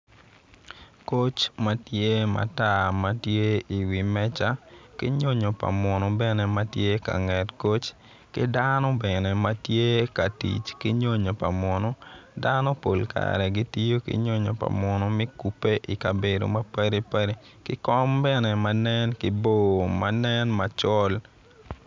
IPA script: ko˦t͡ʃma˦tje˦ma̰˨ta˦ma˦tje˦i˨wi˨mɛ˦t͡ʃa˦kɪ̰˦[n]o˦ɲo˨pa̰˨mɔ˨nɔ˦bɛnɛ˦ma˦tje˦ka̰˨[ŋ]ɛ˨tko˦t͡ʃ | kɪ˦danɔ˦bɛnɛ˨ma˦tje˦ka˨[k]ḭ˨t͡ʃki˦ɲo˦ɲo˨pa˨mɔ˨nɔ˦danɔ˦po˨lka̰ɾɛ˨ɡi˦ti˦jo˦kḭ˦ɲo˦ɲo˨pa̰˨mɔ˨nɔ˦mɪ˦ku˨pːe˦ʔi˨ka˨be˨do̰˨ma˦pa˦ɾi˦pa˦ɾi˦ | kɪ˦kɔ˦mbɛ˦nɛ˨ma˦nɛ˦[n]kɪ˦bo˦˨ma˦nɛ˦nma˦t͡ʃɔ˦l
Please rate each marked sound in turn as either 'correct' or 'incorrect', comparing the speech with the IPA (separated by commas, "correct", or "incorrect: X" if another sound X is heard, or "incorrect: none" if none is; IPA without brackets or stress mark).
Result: incorrect: ɲ, correct, incorrect: t, correct